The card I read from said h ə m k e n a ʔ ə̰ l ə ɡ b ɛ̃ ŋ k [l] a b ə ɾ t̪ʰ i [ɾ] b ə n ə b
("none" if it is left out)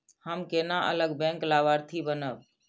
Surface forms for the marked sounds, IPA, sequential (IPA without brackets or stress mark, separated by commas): l, none